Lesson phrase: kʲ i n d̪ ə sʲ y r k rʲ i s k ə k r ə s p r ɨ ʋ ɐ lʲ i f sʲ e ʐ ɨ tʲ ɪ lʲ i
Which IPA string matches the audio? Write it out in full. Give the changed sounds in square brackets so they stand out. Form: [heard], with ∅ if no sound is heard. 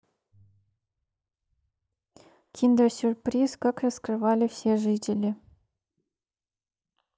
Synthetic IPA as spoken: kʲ i n d̪ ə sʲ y r [p] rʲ i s k [ɑ] k r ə s [k] r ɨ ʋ [ɑ] lʲ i f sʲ e ʐ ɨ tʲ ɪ lʲ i